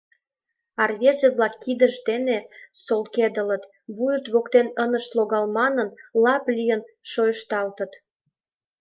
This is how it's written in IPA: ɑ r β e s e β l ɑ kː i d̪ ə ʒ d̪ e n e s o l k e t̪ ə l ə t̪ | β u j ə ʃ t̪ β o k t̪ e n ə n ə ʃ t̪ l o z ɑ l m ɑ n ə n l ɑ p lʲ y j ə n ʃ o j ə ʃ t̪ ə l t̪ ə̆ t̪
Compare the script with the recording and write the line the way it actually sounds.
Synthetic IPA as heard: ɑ r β e z e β l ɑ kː i d̪ ə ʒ d̪ e n e s o l k e d̪ ə l ə t̪ | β u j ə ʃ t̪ β o k t̪ e n ə n ə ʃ t̪ l o ɣ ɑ l m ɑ n ə n l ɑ p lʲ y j ə n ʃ o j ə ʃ t̪ ɑ l t̪ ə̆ t̪